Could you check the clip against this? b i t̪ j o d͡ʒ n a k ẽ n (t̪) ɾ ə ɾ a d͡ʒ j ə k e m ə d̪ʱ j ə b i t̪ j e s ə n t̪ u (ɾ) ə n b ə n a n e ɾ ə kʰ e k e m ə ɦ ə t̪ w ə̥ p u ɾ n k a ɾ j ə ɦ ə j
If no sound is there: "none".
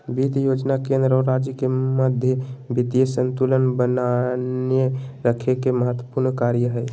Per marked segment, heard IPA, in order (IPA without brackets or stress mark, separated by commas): d̪, l